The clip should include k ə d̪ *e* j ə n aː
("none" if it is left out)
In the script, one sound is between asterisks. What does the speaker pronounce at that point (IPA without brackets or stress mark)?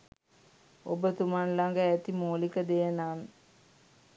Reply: e